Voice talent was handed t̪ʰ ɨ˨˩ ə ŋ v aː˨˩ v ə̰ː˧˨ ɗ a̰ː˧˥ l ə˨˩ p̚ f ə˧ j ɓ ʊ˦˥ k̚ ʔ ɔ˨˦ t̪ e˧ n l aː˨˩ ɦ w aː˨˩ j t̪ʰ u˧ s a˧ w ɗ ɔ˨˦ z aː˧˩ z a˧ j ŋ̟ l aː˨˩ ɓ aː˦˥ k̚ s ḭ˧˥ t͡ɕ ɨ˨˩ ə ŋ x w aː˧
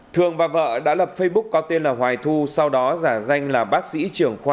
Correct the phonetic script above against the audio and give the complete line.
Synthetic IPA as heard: t̪ʰ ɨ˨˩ ə ŋ v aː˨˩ v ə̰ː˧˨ ɗ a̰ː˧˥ l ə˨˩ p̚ f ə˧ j ɓ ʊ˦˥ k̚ k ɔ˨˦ t̪ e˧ n l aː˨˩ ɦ w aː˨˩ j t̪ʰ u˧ s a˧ w ɗ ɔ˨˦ z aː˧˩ z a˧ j ŋ̟ l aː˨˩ ɓ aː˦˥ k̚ s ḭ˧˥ t͡ɕ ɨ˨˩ ə ŋ x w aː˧